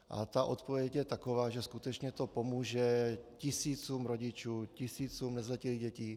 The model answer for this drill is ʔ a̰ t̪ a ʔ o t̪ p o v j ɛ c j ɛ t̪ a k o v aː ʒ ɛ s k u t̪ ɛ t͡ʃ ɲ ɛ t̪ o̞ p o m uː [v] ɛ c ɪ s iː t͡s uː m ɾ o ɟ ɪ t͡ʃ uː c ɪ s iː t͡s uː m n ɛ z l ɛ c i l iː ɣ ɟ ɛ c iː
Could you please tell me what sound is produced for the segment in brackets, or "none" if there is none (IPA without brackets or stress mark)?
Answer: ʒ